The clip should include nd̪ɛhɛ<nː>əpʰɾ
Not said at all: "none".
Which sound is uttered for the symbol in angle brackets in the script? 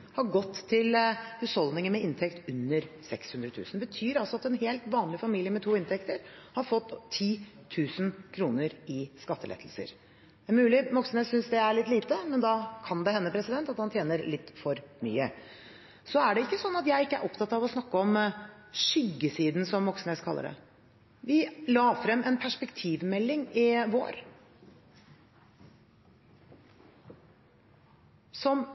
nː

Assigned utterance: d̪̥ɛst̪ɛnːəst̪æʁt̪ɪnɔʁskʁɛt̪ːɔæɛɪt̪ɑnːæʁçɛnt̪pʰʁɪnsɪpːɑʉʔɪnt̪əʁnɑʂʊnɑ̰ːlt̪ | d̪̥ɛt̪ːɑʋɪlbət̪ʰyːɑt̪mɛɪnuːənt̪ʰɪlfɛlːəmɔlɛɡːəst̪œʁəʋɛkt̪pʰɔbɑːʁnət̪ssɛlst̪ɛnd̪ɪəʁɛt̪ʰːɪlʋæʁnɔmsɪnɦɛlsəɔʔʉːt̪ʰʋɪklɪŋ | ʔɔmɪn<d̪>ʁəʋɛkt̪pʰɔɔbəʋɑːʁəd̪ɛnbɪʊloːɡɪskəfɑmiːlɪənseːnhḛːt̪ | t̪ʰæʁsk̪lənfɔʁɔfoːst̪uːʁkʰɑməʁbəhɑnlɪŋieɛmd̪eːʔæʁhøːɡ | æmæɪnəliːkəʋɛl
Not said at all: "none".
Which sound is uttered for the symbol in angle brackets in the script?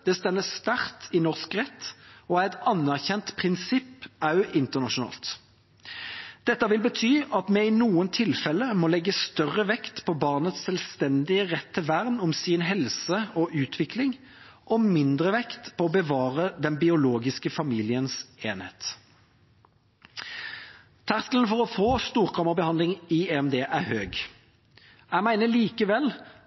d̪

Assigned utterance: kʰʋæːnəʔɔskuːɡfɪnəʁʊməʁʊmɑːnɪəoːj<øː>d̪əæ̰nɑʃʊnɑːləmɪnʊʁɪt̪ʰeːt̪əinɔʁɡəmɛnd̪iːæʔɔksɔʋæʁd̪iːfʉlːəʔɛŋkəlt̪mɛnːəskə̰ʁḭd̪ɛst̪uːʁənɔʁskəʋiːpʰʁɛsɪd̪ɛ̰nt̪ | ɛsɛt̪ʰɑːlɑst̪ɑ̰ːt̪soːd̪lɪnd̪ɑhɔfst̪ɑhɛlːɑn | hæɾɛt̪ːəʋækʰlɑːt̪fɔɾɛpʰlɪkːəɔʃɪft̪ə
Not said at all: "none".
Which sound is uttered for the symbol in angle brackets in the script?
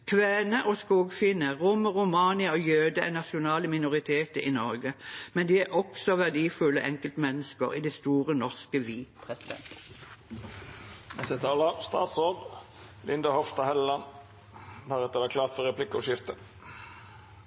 øː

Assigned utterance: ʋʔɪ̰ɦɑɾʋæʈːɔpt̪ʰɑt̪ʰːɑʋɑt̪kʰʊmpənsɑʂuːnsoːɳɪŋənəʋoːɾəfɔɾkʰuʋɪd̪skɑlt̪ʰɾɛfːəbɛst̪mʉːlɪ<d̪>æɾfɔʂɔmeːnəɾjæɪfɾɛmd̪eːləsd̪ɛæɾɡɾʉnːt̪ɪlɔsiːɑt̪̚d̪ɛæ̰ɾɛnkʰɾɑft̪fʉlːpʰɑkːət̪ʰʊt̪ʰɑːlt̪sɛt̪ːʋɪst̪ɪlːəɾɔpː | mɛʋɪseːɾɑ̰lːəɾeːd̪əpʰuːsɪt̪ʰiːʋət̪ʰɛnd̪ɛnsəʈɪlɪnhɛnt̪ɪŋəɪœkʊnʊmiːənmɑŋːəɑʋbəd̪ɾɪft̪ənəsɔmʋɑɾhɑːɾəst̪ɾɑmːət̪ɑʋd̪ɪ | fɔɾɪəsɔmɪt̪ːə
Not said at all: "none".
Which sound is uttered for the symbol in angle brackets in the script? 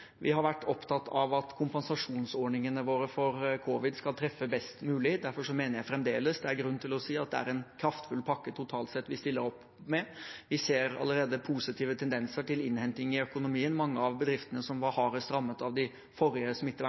d̪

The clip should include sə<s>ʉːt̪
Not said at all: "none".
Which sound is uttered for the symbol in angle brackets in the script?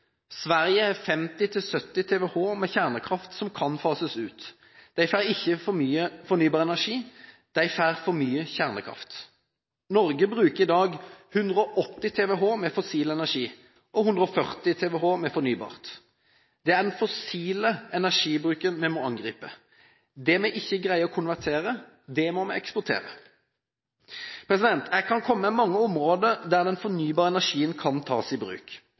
s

